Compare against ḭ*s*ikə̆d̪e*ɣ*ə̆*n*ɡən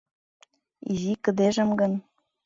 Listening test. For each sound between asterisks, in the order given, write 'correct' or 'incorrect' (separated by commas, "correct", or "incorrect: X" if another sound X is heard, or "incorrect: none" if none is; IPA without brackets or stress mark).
incorrect: z, incorrect: ʒ, incorrect: m